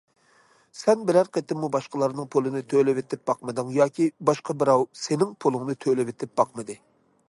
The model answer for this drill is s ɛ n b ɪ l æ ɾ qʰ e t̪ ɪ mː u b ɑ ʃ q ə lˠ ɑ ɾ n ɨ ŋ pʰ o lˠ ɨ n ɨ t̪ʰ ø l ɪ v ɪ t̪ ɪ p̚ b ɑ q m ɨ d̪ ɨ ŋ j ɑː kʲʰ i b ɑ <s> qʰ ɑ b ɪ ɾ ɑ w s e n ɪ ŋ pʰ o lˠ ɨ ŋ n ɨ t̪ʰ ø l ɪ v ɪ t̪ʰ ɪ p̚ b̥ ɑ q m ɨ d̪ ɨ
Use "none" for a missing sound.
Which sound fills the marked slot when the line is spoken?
ʃ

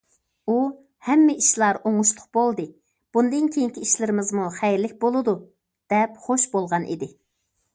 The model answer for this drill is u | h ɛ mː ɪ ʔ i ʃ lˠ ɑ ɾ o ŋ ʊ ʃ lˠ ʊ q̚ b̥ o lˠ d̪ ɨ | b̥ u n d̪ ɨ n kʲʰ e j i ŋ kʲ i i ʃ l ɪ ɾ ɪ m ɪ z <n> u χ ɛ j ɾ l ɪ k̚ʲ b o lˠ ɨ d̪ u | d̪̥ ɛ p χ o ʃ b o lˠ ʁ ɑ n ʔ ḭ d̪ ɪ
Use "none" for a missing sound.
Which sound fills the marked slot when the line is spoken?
m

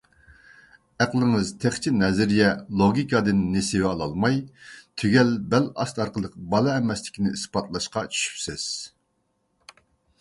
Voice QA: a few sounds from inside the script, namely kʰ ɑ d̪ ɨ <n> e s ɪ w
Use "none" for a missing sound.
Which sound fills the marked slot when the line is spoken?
nː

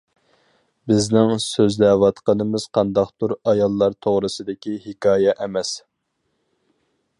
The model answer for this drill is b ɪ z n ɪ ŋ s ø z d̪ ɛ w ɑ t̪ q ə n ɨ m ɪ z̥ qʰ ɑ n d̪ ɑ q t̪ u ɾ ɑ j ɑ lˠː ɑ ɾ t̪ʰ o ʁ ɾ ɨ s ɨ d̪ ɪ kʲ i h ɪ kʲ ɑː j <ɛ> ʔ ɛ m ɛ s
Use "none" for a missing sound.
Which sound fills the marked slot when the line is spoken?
ɛ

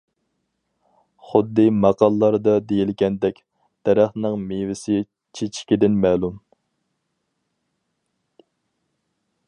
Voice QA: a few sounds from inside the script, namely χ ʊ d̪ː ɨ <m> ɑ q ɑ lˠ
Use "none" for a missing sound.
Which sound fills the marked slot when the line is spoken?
m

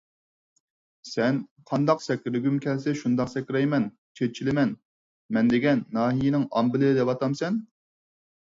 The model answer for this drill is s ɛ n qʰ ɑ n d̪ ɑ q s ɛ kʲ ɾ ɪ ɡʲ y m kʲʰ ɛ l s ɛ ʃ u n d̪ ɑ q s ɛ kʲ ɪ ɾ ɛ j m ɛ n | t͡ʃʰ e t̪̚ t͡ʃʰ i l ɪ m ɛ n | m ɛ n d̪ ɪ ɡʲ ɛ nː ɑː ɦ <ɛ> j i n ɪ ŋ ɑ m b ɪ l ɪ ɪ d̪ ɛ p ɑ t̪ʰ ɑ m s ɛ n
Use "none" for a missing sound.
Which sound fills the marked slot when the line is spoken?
i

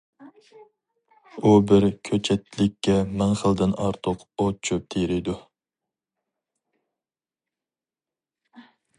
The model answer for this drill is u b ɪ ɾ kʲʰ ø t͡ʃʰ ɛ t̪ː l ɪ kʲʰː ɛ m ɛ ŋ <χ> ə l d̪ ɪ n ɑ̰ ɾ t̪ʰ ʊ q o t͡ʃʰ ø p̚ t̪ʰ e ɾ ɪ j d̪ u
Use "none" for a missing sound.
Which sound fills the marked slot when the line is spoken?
χ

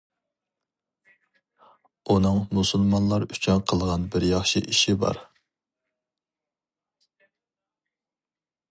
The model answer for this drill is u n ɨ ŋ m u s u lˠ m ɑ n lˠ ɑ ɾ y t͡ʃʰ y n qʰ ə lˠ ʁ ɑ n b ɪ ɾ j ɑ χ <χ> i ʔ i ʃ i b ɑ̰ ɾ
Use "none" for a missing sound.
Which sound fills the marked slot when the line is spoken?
ʃ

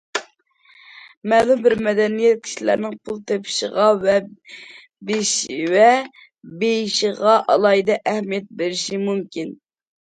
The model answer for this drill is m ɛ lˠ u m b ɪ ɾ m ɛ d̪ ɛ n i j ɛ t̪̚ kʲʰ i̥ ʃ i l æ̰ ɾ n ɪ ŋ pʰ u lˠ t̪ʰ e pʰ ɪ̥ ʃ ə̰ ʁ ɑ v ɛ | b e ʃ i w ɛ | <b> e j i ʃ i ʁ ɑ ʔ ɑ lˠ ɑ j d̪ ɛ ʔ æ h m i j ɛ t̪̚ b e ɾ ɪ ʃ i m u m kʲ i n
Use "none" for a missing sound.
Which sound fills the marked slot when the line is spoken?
b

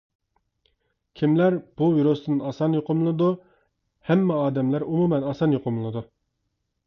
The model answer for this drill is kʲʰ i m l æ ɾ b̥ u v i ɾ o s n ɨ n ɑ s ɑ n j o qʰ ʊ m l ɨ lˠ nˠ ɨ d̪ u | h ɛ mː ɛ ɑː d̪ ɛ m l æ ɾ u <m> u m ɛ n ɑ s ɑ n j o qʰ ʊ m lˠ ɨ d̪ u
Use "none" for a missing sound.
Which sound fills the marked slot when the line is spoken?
m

